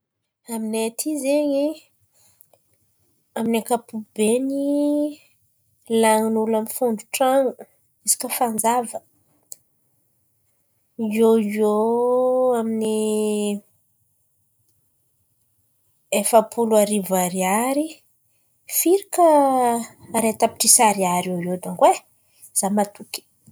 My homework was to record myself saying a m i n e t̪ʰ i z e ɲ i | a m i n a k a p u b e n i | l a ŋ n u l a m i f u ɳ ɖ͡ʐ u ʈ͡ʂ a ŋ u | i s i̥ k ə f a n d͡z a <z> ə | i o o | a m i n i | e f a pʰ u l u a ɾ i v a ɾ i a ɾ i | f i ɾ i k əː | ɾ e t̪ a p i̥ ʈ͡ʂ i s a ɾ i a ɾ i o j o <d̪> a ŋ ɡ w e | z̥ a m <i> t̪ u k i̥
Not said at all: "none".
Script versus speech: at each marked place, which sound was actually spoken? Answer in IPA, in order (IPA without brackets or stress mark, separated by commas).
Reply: v, d̪, a